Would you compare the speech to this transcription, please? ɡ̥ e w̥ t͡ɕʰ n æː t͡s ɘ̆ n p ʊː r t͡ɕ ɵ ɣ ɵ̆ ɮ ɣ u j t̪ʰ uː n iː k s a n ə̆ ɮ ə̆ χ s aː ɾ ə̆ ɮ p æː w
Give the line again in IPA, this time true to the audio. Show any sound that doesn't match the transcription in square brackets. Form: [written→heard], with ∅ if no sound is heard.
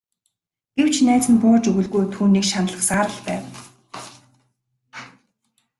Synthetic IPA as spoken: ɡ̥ e w̥ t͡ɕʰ n æː t͡s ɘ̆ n p ʊː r t͡ɕ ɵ ɣ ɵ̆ ɮ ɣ u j t̪ʰ uː n iː k [s→ʃ] a n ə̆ ɮ ə̆ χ s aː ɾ ə̆ ɮ p æː w